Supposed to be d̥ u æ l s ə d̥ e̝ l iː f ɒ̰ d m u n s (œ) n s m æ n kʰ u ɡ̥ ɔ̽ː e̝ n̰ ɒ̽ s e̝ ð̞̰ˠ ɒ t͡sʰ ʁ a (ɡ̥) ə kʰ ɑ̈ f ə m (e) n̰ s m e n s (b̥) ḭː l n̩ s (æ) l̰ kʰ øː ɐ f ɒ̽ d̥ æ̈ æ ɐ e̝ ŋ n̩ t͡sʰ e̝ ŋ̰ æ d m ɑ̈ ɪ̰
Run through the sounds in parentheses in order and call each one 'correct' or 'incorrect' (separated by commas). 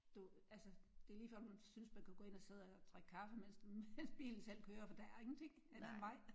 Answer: incorrect, correct, correct, correct, incorrect